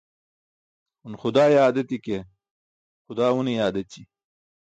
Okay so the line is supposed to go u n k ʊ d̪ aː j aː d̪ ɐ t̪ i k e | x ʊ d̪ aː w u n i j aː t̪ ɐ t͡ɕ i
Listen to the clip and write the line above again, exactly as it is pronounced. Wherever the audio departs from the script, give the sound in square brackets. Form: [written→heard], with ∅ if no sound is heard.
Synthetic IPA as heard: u n [k→x] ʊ d̪ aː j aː d̪ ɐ t̪ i k e | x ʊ d̪ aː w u n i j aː [t̪→d̪] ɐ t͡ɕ i